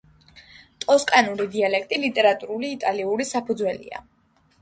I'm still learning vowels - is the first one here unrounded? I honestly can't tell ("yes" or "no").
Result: no